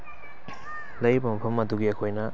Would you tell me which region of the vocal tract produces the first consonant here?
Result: tongue tip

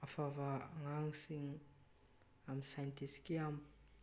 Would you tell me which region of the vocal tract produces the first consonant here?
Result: lips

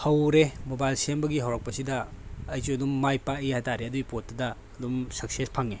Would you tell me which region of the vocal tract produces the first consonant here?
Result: throat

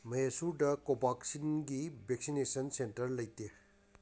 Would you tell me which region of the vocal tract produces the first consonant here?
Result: lips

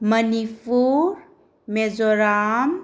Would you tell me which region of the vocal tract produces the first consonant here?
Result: lips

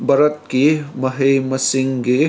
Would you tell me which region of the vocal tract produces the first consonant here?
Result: lips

